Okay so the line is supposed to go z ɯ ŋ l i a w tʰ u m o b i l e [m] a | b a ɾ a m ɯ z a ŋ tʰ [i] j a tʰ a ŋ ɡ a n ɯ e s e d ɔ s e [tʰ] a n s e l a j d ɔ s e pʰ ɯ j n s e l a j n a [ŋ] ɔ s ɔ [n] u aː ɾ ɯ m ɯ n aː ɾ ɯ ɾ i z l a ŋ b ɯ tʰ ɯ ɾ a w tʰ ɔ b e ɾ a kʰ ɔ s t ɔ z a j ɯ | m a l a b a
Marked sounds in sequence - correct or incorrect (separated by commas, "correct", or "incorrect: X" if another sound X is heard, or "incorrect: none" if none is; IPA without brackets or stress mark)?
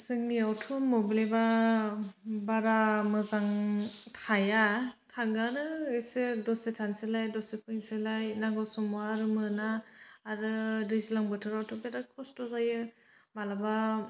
incorrect: b, incorrect: a, correct, incorrect: ɡ, incorrect: m